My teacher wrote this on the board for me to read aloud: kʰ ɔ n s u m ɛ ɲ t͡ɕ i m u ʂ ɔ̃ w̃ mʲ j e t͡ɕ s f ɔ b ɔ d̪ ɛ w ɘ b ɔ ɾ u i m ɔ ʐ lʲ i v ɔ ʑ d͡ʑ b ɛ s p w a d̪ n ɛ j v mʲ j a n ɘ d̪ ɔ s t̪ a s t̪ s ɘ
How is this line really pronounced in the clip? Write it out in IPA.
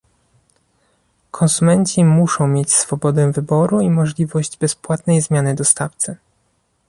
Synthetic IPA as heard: kʰ ɔ n s u m ɛ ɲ t͡ɕ i m u ʂ ɔ̃ w̃ mʲ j e t͡ɕ s f ɔ b ɔ d̪ ɛ v ɘ b ɔ ɾ u i m ɔ ʐ lʲ i v ɔ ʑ d͡ʑ b ɛ s p w a t̪ n ɛ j z mʲ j a n ɘ d̪ ɔ s t̪ a f t̪ s ɘ